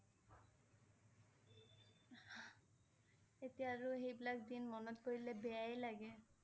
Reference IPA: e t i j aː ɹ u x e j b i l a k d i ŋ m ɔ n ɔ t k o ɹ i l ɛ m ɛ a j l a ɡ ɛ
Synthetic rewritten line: e t i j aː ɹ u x e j b i l a k d i n m ɔ n ɔ t k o ɹ i l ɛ b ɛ a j l a ɡ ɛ